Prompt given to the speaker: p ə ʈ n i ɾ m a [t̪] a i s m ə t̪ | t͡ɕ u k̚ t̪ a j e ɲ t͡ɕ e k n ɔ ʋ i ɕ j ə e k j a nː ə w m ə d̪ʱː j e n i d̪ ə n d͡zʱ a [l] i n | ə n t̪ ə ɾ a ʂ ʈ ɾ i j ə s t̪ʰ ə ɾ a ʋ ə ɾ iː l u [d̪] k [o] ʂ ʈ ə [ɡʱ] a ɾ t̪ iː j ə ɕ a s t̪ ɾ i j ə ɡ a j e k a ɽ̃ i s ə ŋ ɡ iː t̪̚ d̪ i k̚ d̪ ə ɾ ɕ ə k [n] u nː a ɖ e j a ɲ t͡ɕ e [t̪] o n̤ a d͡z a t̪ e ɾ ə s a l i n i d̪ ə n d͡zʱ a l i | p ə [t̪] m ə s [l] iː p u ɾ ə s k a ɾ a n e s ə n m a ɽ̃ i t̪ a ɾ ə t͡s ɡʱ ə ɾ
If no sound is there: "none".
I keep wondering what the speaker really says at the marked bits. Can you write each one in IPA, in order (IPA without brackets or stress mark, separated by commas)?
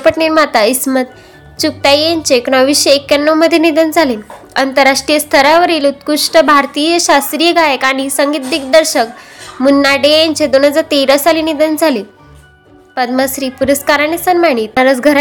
t̪, l, t̪, u, bʱ, m, d̪, d̪, ɾ